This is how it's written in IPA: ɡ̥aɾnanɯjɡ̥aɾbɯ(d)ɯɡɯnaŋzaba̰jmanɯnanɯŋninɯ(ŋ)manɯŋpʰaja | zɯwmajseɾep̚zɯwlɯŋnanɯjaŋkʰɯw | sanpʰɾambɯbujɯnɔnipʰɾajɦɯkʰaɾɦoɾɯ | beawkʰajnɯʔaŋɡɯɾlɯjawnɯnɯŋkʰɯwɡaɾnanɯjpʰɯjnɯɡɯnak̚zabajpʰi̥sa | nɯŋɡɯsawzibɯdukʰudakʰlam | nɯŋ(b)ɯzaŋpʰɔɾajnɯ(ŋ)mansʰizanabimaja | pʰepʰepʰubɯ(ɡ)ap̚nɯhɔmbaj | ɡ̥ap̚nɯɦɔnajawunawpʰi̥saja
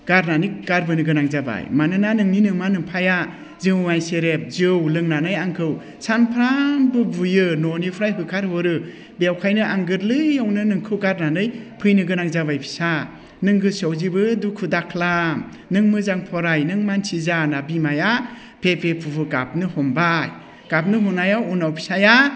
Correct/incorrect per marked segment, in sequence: incorrect, correct, incorrect, correct, correct

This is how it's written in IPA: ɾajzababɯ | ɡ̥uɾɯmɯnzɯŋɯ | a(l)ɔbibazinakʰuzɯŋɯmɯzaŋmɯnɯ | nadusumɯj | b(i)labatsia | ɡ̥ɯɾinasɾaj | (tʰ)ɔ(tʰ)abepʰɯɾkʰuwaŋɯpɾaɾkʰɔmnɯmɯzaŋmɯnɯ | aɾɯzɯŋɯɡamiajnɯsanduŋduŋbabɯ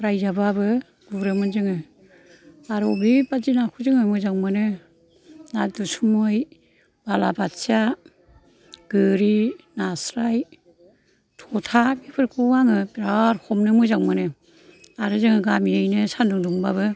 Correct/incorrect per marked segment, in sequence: incorrect, incorrect, correct, correct

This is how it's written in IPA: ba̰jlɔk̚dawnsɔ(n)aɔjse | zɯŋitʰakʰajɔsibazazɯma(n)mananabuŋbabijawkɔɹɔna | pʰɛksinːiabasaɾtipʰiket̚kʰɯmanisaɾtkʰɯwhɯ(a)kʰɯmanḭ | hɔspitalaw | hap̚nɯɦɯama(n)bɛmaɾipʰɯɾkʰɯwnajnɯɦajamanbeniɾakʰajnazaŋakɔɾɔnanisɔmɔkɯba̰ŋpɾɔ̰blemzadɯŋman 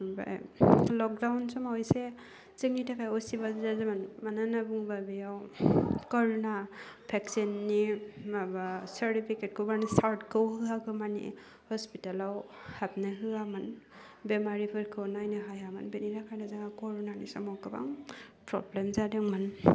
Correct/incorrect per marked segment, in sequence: incorrect, correct, correct, correct

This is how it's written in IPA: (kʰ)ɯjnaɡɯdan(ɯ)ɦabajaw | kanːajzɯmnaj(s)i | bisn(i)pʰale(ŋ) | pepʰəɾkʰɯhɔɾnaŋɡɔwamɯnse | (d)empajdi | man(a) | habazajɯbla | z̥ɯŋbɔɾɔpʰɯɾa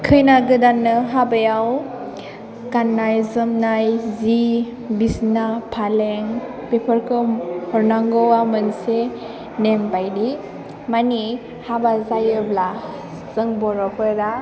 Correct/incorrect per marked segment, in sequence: correct, correct, incorrect, incorrect, correct, incorrect, incorrect

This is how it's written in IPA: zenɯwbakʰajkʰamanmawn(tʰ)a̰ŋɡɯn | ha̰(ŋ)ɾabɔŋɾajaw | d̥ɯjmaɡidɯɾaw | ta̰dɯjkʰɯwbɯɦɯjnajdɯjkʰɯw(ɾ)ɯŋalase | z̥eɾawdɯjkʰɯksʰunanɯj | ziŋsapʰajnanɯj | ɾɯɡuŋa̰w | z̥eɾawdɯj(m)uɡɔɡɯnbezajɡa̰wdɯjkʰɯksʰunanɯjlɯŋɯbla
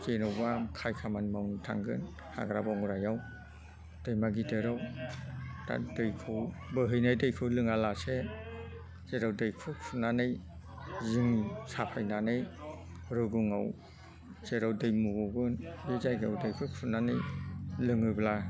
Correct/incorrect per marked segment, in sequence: correct, incorrect, incorrect, correct

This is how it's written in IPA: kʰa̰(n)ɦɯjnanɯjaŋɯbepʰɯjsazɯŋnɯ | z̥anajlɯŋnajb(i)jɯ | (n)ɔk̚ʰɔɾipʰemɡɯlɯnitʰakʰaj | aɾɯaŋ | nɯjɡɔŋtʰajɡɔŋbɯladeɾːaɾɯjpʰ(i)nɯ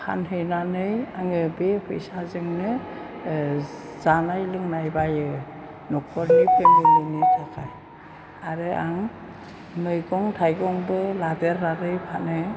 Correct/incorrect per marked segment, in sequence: correct, incorrect, correct, incorrect

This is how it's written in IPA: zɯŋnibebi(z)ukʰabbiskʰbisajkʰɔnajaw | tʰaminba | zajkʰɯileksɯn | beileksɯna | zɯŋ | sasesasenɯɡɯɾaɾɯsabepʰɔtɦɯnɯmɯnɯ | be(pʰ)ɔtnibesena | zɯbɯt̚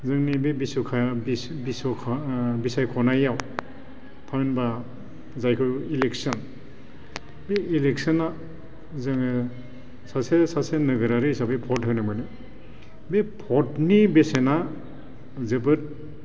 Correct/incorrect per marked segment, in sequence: incorrect, correct

